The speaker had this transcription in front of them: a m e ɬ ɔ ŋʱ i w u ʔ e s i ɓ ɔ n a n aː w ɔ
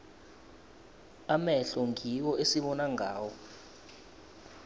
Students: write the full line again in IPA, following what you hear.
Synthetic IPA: a m ɛ ɬ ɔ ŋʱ i w ɔ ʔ e s i ɓ ɔ n a ŋ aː w ɔ